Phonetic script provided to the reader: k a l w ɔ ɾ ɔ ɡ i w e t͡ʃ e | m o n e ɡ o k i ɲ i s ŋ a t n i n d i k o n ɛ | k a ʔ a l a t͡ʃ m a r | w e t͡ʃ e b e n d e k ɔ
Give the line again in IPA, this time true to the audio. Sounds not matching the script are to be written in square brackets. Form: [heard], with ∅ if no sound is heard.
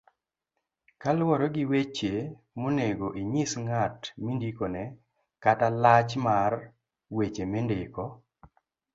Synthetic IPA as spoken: k a l w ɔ ɾ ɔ ɡ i w e t͡ʃ e | m o n e ɡ o [ʔ] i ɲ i s ŋ a t [m] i n d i k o n ɛ | k a [t] a l a t͡ʃ m a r | w e t͡ʃ e [m] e n d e k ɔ